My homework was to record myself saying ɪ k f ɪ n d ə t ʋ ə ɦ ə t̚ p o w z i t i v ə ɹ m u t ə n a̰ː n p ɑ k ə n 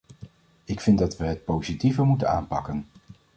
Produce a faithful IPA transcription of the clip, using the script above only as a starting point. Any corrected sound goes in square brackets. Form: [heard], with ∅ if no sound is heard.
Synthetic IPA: ɪ k f ɪ n d [ɑ] t ʋ ə ɦ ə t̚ p o w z i t i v ə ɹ m u t ə n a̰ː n p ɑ k ə n